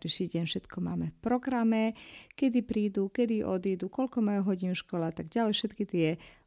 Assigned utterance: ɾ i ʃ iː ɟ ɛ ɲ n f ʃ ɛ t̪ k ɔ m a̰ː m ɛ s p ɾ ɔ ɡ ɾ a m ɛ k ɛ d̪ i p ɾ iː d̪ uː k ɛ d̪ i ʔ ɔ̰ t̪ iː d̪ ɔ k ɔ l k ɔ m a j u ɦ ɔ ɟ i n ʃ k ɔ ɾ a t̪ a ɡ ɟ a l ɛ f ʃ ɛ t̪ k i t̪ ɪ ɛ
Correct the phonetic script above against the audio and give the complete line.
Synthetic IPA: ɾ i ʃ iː ɟ ɛ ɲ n f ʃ ɛ t̪ k ɔ m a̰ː m ɛ f p ɾ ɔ ɡ ɾ a m ɛ k ɛ d̪ i p ɾ iː d̪ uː k ɛ d̪ i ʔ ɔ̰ d̪ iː d̪ u k ɔ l k ɔ m a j u ɦ ɔ ɟ i n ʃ k ɔ l a t̪ a ɡ ɟ a l ɛ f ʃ ɛ t̪ k i t̪ ɪ ɛ